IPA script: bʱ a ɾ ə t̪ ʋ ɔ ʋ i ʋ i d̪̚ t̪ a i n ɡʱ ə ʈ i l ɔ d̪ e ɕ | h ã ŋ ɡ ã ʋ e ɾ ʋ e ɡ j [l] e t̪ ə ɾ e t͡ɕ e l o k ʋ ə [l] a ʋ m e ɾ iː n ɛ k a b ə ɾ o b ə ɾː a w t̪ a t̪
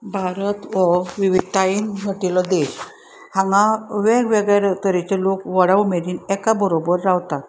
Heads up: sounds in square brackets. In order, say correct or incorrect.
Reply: incorrect, incorrect

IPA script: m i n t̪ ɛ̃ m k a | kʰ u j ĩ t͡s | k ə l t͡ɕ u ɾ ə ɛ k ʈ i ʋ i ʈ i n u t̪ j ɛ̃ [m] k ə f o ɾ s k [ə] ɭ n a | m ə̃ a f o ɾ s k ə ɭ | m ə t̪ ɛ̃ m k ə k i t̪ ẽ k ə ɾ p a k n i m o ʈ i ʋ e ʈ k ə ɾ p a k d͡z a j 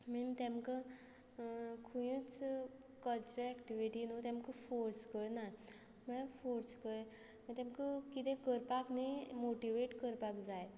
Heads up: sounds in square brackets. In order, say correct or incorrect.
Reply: correct, correct

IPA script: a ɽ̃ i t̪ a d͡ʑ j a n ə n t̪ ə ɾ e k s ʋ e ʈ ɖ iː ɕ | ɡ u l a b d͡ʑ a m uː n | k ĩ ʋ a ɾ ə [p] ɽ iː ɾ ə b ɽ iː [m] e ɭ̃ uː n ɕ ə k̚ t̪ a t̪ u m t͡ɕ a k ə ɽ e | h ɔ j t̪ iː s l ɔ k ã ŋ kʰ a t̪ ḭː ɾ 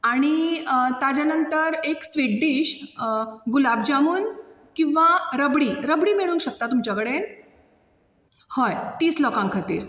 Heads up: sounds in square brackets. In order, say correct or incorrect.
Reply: incorrect, correct

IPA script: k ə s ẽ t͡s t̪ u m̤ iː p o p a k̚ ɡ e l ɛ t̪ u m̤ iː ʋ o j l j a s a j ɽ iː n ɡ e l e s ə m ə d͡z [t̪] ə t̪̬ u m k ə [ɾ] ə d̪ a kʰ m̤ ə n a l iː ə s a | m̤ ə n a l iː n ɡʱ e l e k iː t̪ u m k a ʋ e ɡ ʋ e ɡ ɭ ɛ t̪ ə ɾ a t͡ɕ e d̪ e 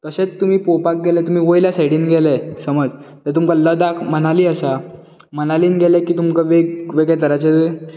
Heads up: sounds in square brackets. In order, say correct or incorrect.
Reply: correct, incorrect

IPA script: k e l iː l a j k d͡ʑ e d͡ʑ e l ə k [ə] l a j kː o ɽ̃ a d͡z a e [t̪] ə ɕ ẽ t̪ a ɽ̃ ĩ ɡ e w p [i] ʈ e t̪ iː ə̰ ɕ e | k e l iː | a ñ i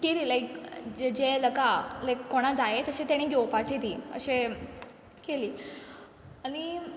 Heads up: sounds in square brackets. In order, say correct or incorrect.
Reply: incorrect, correct, incorrect

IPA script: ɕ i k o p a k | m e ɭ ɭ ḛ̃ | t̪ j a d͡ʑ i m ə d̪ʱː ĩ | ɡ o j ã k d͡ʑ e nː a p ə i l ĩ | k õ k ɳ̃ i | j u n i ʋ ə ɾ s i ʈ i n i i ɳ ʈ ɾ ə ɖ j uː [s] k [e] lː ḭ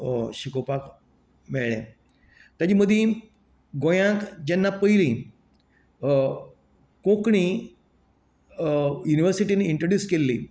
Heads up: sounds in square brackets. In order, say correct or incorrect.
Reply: correct, correct

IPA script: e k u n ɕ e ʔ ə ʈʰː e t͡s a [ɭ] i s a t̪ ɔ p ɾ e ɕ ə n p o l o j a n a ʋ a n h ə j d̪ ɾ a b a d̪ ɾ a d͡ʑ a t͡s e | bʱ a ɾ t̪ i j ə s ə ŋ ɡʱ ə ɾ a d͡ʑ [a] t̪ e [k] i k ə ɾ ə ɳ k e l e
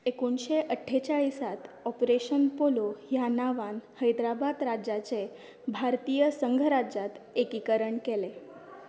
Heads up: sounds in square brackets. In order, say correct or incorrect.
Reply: correct, correct, correct

